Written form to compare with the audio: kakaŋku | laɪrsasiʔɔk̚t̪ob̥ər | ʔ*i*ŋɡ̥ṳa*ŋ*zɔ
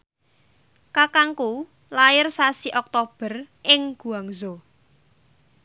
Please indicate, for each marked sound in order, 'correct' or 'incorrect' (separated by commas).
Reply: incorrect, correct